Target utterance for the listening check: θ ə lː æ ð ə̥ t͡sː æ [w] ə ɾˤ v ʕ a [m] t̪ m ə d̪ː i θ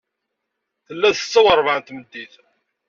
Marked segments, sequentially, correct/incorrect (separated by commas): correct, incorrect